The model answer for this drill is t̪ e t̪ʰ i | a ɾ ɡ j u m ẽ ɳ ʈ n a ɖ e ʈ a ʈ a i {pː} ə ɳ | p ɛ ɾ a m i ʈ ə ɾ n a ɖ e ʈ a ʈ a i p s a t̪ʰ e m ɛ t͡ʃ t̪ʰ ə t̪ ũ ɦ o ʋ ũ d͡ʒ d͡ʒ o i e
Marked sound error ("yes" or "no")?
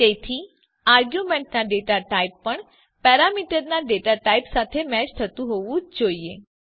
no